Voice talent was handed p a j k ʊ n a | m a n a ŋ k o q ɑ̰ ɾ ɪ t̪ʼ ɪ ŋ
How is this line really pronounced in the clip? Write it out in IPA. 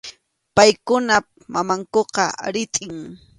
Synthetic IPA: p a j k ʊ n a | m a m a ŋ k o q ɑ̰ ɾ ɪ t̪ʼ ɪ ŋ